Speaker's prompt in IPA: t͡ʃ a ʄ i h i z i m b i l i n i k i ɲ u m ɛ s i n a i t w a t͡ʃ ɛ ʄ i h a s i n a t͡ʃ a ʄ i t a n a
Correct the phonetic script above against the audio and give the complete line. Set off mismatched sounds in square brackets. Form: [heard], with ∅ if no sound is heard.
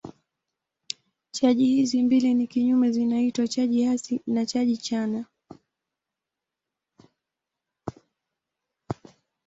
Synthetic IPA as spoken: t͡ʃ a ʄ i h i z i m b i l i n i k i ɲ u m ɛ [z] i n a i t w a t͡ʃ [a] ʄ i h a s i n a t͡ʃ a ʄ i [t͡ʃ] a n a